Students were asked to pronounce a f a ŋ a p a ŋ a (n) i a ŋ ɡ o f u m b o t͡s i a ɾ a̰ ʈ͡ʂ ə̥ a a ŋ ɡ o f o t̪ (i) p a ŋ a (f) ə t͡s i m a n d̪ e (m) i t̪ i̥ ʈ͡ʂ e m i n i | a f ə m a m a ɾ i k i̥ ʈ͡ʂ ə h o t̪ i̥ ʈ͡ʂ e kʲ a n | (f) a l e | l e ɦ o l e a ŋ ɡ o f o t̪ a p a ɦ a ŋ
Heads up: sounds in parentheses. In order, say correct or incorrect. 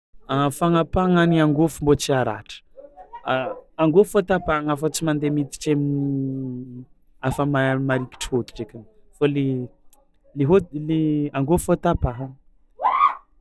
correct, incorrect: a, correct, correct, correct

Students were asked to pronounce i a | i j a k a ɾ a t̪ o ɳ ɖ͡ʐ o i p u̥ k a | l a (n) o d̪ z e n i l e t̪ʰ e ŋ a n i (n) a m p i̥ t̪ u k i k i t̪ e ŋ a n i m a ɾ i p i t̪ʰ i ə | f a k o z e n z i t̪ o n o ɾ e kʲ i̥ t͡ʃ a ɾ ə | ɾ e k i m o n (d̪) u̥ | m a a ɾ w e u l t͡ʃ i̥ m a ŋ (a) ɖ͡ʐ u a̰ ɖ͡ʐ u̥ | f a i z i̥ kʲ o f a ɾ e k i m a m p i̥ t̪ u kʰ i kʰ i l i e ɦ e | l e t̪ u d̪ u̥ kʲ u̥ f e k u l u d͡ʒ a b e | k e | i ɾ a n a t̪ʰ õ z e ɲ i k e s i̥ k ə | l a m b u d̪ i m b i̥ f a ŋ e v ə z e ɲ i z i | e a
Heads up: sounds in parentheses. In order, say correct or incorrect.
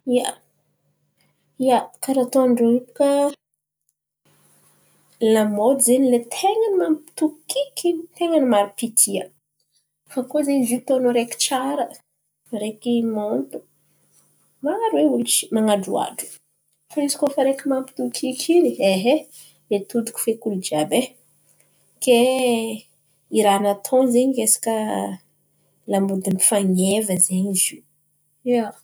incorrect: m, incorrect: m, incorrect: t̪, correct

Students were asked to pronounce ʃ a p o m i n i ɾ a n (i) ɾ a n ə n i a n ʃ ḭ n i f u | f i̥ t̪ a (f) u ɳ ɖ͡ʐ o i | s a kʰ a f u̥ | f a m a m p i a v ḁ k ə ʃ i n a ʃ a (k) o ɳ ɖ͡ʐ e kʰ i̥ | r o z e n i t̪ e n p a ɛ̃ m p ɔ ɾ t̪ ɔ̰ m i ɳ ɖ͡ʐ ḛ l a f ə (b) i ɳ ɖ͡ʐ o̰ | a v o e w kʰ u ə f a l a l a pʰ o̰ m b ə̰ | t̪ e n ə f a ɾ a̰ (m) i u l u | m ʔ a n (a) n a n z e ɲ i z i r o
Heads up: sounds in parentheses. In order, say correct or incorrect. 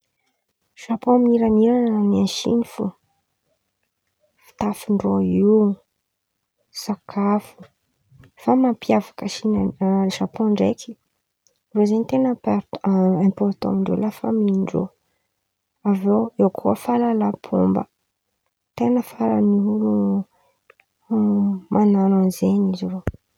correct, correct, incorrect: p, incorrect: m, incorrect: n, correct

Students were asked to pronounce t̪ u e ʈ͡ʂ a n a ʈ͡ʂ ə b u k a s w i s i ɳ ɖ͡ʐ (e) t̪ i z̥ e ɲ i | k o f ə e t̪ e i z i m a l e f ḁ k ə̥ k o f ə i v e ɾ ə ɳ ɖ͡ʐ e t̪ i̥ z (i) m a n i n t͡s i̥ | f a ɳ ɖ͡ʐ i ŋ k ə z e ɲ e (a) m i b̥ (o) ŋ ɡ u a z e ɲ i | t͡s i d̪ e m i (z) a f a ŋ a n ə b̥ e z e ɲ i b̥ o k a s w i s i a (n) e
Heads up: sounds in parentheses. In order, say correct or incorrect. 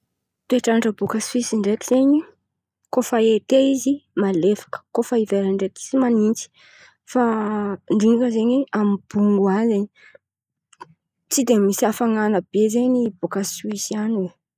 correct, correct, correct, incorrect: u, incorrect: s, correct

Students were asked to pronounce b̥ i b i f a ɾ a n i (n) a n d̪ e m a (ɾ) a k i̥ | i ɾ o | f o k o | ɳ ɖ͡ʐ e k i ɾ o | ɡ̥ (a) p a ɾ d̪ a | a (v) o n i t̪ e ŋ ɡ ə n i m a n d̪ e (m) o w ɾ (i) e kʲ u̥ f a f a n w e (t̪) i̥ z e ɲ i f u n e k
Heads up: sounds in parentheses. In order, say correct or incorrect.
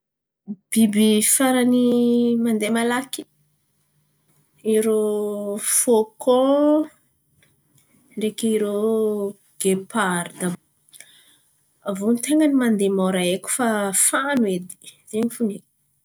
incorrect: m, incorrect: l, incorrect: e, correct, correct, incorrect: a, incorrect: d̪

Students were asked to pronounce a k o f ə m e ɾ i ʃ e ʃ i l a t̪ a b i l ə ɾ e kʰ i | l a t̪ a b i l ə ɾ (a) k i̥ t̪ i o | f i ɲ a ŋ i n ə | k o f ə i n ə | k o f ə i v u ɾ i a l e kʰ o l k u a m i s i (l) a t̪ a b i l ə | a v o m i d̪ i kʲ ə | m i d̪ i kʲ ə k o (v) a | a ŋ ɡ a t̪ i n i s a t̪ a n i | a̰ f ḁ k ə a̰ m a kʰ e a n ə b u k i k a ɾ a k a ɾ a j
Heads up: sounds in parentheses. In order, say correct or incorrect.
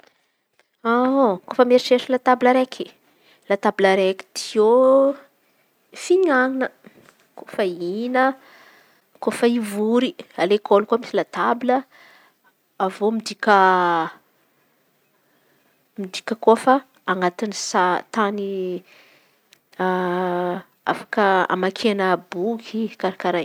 incorrect: e, correct, incorrect: f

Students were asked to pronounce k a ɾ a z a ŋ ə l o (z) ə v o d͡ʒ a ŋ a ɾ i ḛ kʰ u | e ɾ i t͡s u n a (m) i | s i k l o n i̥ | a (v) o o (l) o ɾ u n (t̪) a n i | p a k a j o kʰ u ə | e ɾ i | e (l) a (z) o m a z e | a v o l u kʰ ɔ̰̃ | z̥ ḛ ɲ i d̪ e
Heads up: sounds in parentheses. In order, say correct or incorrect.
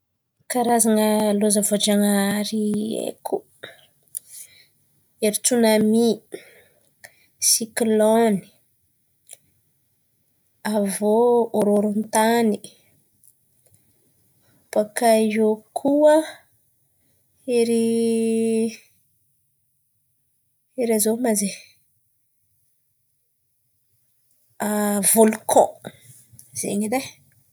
correct, correct, correct, incorrect: ɾ, correct, incorrect: ɾ, correct

